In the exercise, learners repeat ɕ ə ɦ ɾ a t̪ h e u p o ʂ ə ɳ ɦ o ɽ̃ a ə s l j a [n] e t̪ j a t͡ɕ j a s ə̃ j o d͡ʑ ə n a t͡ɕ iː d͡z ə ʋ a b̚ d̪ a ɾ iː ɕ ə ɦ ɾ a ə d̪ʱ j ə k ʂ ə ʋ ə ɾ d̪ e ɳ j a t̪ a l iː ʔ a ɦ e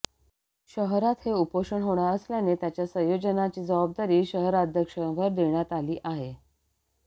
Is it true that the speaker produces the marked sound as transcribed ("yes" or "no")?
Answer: yes